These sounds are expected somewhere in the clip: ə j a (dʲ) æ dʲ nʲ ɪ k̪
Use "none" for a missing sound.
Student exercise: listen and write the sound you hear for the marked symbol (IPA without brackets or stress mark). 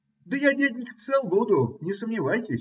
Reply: dʲ